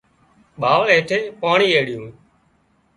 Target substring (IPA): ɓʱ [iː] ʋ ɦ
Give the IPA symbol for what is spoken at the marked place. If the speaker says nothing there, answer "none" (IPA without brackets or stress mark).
aː